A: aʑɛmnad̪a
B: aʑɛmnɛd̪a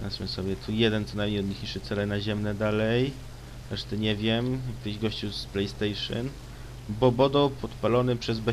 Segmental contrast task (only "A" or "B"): B